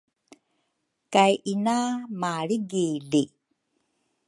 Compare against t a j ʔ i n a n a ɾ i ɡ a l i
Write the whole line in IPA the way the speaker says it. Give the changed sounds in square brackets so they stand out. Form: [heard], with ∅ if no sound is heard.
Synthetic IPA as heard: [k] a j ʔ i n a [m] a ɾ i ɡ [i] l i